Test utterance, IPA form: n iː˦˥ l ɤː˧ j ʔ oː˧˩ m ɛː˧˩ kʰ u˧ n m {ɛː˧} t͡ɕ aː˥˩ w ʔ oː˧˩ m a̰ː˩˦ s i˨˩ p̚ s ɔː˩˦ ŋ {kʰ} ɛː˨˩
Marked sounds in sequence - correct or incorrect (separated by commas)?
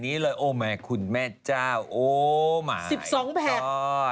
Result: incorrect, incorrect